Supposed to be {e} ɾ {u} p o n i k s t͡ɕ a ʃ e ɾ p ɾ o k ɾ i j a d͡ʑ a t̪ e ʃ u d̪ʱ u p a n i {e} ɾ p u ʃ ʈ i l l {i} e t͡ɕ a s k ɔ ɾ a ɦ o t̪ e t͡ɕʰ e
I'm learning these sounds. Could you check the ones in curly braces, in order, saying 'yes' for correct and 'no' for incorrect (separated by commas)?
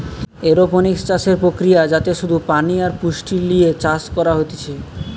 yes, no, no, yes